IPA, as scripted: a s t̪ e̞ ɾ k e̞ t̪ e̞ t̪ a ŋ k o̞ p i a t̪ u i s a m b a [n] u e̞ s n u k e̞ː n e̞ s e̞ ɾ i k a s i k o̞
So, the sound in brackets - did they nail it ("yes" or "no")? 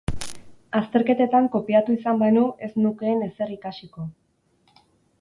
yes